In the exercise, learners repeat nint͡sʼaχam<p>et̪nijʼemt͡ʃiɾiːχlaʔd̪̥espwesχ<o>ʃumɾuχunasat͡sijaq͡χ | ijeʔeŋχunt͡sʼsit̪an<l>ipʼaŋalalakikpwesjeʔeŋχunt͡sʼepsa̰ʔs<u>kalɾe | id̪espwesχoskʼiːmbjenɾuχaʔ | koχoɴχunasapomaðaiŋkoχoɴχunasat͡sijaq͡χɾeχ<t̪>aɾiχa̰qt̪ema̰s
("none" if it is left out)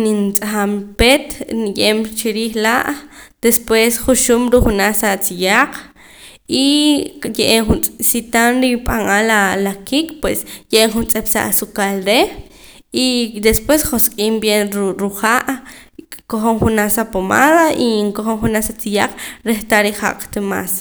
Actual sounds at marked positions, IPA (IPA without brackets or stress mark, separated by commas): p, u, ɾ, u, t̪